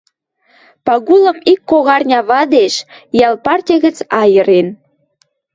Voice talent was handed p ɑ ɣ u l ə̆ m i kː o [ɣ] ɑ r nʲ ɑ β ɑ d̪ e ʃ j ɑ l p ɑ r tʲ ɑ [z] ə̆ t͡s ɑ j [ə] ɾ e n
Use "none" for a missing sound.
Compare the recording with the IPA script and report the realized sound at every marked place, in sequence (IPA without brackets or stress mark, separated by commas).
ɣ, ɣ, ə